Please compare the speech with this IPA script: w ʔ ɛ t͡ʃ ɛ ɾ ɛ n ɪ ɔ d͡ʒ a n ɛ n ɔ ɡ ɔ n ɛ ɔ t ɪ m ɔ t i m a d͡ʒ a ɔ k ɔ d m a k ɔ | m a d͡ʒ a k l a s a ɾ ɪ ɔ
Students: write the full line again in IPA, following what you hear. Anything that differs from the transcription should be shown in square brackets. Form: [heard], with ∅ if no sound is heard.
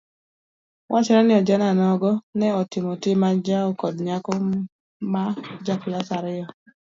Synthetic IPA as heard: w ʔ [a] t͡ʃ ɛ ɾ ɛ n ɪ ɔ d͡ʒ a n [a] n ɔ ɡ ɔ n ɛ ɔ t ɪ m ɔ t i m a d͡ʒ a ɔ k ɔ d [ɲ] a k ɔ | m a d͡ʒ a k l a s a ɾ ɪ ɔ